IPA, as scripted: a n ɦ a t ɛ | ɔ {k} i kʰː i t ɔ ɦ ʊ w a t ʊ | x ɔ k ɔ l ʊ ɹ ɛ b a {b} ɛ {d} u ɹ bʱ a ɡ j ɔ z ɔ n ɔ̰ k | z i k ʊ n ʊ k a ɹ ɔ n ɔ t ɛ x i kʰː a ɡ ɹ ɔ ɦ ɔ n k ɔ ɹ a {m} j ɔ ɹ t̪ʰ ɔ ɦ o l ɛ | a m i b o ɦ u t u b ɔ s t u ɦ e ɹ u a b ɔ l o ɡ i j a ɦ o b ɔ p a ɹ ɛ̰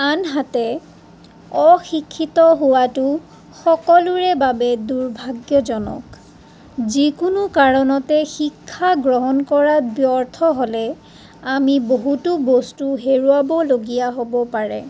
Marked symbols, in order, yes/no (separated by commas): no, yes, yes, no